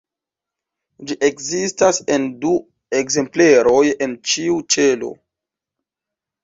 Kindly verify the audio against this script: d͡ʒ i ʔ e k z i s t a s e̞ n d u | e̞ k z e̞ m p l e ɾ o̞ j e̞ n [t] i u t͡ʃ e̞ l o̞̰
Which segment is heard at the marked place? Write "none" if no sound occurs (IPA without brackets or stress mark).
t͡ʃ